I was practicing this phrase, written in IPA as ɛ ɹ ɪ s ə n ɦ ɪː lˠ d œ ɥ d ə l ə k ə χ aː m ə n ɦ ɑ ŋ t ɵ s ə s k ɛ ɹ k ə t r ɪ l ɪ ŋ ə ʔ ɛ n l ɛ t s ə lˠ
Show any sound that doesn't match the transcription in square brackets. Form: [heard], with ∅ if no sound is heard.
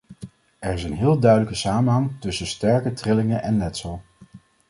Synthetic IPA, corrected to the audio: ɛ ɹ ɪ s ə n ɦ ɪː lˠ d œ ɥ d ə l ə k ə [s] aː m ə n ɦ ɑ ŋ t ɵ s ə s [t] ɛ ɹ k ə t r ɪ l ɪ ŋ ə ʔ ɛ n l ɛ t s ə lˠ